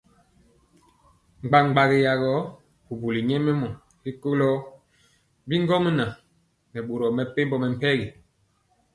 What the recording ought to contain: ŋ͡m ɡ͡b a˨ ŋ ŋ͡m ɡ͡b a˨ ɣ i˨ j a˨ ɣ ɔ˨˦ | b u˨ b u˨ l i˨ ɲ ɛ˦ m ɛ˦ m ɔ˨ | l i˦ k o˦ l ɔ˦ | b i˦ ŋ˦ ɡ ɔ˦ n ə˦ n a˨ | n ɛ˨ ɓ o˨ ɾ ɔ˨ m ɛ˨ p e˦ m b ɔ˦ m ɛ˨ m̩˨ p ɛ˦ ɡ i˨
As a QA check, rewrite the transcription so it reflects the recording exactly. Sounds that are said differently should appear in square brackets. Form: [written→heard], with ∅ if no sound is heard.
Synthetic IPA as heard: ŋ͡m ɡ͡b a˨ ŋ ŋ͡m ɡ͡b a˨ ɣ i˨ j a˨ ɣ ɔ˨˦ | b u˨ b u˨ l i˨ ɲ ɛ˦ m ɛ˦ m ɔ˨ | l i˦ k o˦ l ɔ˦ | b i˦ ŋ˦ ɡ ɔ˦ [n→m] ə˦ n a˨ | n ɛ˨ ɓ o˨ ɾ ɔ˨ m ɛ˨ p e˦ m b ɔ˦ m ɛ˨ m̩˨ p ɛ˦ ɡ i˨